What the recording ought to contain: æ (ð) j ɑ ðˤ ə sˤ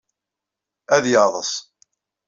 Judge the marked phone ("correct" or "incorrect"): correct